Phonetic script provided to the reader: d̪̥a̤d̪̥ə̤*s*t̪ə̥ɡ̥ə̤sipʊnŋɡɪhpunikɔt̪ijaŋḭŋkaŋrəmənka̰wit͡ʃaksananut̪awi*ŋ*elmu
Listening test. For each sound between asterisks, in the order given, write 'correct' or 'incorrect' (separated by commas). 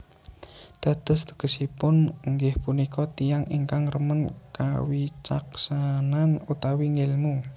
correct, correct